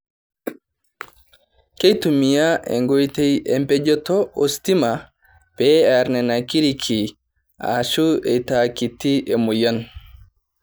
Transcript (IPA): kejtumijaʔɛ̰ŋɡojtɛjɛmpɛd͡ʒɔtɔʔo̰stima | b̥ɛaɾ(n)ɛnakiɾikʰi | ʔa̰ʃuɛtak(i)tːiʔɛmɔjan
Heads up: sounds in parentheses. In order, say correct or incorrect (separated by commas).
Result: correct, correct